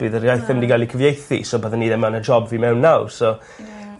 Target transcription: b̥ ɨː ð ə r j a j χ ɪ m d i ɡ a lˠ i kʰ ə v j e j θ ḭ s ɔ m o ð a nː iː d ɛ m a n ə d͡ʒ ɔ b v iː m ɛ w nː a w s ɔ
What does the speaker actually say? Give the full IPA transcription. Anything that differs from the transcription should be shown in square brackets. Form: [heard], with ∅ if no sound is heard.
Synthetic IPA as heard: b̥ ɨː ð ə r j a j [θ] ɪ m d i ɡ a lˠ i kʰ ə v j e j θ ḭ s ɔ [b] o ð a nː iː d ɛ m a n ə d͡ʒ ɔ b v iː m ɛ w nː a w s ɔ